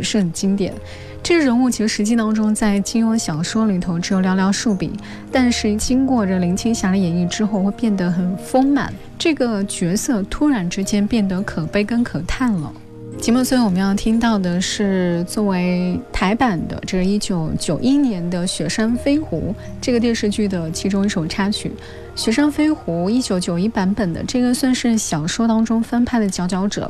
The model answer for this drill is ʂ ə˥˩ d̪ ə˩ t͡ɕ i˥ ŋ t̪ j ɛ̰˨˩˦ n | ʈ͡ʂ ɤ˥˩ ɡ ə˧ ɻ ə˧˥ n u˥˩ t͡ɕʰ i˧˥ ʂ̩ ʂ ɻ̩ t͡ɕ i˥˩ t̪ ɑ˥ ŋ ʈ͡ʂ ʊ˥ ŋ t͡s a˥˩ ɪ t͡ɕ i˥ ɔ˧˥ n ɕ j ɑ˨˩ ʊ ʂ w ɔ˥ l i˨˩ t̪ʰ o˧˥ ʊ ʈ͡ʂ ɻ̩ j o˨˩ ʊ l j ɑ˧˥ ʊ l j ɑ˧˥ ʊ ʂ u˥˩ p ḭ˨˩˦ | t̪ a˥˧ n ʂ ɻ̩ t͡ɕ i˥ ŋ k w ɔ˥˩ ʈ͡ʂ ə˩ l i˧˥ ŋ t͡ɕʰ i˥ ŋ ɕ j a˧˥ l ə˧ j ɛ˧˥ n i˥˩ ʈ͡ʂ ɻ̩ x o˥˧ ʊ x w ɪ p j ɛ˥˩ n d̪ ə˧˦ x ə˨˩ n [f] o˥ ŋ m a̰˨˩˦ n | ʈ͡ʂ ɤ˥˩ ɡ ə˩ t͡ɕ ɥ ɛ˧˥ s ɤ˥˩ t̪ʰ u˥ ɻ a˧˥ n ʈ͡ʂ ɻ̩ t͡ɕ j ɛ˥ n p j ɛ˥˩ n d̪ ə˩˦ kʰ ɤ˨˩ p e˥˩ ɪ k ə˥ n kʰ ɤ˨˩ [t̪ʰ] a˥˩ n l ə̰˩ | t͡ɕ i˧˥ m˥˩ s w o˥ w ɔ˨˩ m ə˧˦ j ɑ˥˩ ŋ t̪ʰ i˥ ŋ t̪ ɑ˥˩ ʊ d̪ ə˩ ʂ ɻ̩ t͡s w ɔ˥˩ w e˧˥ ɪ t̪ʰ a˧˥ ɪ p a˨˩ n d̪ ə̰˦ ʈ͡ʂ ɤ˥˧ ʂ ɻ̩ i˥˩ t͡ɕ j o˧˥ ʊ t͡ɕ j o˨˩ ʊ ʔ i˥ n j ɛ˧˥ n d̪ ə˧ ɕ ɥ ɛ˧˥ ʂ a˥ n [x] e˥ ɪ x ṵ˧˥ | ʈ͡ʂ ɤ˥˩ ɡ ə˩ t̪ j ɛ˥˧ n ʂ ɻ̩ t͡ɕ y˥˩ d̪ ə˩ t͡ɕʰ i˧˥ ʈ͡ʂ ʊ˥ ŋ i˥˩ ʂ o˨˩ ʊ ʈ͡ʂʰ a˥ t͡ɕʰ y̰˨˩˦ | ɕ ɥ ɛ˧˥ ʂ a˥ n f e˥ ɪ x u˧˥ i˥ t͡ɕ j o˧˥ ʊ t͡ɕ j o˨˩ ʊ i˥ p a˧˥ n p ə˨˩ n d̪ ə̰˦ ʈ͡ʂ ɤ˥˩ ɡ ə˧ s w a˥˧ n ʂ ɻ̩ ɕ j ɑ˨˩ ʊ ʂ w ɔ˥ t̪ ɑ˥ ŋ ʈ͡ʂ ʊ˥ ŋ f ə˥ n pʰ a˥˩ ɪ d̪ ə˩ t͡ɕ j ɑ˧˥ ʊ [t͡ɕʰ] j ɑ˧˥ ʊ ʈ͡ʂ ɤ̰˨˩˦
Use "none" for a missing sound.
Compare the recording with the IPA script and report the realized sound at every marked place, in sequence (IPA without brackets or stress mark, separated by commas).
f, t̪ʰ, f, t͡ɕ